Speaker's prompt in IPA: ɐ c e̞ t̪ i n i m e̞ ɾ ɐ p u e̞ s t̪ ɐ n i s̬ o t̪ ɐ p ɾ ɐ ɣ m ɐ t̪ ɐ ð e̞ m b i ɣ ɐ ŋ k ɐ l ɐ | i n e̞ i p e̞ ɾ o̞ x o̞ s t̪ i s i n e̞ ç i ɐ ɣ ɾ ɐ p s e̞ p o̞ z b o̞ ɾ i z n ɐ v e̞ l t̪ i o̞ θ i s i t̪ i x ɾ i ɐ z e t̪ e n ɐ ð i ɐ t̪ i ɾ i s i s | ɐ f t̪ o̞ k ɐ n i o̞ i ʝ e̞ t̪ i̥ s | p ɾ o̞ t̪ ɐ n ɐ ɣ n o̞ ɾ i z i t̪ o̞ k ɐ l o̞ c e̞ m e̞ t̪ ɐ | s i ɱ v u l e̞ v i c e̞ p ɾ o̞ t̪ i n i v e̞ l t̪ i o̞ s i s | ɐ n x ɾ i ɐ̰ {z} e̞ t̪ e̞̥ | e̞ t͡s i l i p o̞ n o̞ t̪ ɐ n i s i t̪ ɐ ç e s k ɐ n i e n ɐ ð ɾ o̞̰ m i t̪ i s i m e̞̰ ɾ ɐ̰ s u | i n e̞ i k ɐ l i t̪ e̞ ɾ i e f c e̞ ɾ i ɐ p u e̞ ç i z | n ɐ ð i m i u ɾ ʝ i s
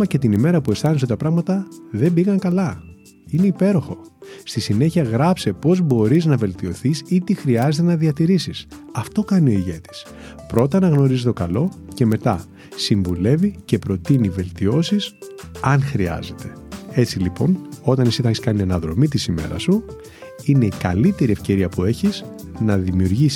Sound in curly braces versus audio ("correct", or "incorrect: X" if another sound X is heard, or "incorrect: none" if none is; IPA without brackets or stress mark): correct